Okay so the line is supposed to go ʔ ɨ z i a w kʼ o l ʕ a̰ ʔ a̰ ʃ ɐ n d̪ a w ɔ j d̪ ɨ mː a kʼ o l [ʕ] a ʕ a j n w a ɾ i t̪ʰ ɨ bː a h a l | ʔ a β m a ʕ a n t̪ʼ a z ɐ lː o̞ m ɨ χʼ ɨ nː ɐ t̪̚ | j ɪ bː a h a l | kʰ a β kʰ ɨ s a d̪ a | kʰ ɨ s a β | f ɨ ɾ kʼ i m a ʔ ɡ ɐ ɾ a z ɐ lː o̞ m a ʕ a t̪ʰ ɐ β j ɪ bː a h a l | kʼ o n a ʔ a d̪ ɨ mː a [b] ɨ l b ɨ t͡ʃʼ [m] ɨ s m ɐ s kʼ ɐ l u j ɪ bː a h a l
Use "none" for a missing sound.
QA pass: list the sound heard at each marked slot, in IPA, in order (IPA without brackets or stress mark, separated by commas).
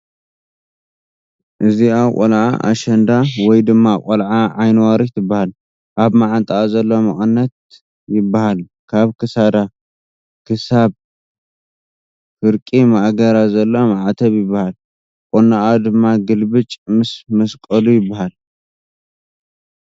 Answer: ʕ, ɡ, m